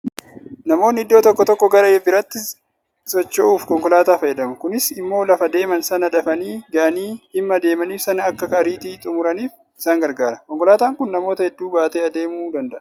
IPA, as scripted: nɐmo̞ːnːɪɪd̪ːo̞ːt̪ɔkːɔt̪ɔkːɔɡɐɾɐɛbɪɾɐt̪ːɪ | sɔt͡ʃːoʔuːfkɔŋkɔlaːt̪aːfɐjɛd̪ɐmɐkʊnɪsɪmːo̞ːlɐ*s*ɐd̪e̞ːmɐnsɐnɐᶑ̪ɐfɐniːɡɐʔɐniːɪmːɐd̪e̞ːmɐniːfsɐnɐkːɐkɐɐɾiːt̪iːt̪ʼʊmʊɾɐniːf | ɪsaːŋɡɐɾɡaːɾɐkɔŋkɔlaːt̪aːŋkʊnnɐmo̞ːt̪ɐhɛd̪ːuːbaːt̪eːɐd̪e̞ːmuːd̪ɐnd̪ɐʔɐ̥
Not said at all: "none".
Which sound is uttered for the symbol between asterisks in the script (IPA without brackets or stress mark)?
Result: f